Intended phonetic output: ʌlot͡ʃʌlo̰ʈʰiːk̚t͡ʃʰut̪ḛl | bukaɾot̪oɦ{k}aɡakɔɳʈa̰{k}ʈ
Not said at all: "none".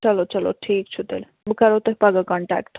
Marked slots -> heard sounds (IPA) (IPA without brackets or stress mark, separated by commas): p, k